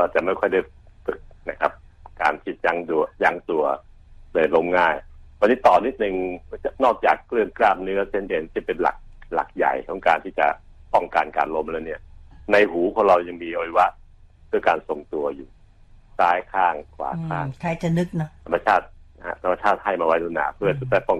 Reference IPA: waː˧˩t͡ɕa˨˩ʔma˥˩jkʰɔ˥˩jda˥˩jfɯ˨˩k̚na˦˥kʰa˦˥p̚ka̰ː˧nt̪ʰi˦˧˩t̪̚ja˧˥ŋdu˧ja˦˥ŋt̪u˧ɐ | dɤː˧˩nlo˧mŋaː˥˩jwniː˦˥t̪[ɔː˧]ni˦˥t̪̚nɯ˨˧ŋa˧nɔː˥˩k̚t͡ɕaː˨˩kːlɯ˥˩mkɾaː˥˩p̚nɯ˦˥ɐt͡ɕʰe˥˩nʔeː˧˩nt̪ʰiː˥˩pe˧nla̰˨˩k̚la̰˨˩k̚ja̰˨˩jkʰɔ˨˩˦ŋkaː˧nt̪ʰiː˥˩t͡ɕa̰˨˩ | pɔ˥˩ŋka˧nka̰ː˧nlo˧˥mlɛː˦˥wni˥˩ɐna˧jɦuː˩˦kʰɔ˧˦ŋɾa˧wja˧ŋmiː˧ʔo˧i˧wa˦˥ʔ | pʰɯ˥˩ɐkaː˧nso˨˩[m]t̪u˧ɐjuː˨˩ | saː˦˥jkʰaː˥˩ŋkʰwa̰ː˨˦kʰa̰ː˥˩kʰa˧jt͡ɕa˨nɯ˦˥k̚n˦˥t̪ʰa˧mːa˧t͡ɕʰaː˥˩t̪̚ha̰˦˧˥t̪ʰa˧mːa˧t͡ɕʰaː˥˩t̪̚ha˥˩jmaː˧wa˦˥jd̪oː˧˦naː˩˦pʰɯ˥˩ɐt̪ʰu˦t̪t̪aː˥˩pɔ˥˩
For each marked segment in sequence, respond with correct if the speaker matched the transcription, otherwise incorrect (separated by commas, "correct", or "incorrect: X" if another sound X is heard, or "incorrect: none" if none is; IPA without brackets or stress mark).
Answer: incorrect: ɔː˨˩, incorrect: ŋ